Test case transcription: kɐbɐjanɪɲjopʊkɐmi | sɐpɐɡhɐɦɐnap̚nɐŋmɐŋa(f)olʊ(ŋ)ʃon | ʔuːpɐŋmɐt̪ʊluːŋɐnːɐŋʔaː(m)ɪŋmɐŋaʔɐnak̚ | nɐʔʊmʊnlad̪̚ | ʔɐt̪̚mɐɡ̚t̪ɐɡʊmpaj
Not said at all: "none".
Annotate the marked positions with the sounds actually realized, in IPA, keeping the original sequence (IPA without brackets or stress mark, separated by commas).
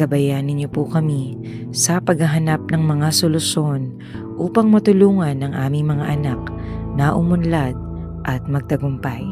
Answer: s, none, m